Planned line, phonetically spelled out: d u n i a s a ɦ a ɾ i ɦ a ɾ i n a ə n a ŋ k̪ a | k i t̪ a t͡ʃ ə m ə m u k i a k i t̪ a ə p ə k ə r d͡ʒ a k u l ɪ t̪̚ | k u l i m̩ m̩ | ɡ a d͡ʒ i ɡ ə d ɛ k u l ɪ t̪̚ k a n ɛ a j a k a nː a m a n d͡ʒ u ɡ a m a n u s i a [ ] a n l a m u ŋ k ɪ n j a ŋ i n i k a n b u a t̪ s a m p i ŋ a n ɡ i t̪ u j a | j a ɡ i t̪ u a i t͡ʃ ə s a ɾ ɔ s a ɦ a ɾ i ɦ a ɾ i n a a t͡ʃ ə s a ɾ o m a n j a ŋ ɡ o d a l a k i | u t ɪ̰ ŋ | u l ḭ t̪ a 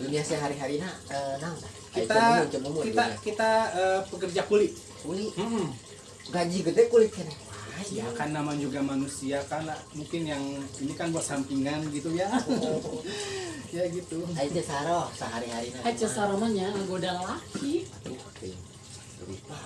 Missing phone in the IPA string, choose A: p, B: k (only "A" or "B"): B